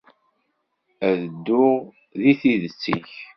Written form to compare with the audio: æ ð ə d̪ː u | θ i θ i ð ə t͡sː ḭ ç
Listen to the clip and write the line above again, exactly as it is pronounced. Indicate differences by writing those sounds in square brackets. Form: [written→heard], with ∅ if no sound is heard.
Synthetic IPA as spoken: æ ð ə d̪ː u | [θ→ð] i θ i ð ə t͡sː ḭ ç